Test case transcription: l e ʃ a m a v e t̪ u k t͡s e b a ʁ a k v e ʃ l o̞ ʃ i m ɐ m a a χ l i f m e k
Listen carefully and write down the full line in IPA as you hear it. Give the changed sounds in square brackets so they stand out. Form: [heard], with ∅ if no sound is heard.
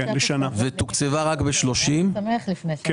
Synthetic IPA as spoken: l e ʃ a [n] a v e t̪ u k t͡s e [v] a ʁ a k [b] e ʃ l o̞ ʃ i m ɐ m [e] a χ l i f [n] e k